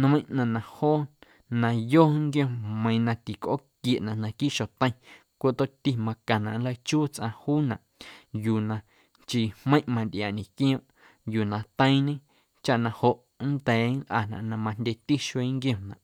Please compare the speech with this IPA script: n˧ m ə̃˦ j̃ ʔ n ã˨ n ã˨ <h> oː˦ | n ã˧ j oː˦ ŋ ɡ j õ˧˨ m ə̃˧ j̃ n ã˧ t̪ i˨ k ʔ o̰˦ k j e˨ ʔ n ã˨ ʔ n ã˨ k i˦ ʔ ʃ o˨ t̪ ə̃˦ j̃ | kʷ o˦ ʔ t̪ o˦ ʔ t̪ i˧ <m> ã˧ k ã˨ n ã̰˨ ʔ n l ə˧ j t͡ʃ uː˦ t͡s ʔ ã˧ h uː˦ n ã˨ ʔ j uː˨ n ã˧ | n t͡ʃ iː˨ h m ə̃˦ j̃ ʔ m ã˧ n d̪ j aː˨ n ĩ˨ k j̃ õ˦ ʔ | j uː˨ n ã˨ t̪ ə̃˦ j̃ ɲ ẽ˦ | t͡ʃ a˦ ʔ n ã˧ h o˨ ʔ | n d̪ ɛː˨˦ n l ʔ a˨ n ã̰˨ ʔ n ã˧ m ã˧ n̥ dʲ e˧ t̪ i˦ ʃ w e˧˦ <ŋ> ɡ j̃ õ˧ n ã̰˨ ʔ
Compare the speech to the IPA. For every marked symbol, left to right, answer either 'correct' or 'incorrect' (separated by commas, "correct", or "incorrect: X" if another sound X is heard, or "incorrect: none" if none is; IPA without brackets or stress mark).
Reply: correct, correct, correct